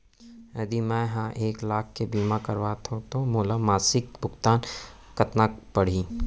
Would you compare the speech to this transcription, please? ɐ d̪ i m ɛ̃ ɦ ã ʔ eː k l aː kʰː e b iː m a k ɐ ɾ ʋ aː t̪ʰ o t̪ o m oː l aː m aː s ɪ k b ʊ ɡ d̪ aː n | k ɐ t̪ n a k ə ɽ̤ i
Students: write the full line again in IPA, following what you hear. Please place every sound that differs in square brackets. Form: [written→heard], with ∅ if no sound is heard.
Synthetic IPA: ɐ d̪ i m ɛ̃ ɦ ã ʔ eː k l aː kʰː e b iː m a k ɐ ɾ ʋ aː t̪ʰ o t̪ o m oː l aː m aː s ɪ k b ʊ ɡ [d̪→t̪] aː n | k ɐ t̪ n a [k→p] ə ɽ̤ i

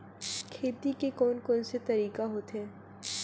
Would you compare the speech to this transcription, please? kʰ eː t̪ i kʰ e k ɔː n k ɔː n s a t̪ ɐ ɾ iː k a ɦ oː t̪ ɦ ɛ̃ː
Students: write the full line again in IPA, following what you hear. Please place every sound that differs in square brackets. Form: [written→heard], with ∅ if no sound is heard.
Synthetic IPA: kʰ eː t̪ i [kʰ→k] e k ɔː n k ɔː n s [a→e] t̪ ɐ ɾ iː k a ɦ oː t̪ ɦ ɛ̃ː

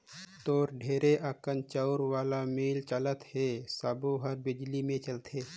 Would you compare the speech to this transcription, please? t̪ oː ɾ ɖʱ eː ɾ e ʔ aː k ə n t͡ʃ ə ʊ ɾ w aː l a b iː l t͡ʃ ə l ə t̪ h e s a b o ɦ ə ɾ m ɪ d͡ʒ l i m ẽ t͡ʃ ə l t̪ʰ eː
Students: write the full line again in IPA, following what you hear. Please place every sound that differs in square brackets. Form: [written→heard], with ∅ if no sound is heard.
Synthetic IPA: t̪ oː ɾ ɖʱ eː ɾ e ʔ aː k ə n t͡ʃ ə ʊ ɾ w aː l a [b→m] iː l t͡ʃ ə l ə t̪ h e s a b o ɦ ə ɾ [m→b] ɪ d͡ʒ l i m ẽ t͡ʃ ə l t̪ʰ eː

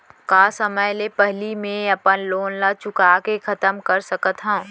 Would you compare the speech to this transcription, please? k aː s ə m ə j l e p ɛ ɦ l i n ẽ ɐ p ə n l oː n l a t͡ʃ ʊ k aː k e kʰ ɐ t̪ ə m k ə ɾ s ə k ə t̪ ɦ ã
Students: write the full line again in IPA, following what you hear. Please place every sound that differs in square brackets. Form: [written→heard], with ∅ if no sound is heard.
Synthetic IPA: k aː s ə m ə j l e p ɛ ɦ l i [n→m] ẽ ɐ p ə n l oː n l a t͡ʃ ʊ k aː k e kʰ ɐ t̪ ə m k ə ɾ s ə k ə t̪ ɦ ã

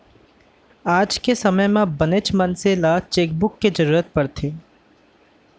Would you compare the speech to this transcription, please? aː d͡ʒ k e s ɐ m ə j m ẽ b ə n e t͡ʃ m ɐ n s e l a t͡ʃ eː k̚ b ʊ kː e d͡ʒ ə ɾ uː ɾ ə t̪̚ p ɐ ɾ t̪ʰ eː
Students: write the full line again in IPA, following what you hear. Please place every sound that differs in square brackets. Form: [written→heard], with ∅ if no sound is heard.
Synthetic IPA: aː d͡ʒ k e s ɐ m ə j m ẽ b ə n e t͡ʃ m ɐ n s e l a t͡ʃ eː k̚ b ʊ kː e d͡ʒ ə ɾ uː ɾ ə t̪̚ p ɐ ɾ t̪ʰ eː

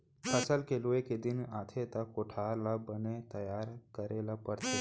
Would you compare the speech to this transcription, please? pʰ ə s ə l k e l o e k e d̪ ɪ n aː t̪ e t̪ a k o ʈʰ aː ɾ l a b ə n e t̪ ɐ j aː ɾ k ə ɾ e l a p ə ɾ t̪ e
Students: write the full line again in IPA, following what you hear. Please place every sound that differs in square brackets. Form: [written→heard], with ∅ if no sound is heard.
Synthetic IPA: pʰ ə s ə l k e l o e k e d̪ ɪ n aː [t̪→t̪ʰ] e t̪ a k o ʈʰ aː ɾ l a b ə n e t̪ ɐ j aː ɾ k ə ɾ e l a p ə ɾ t̪ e

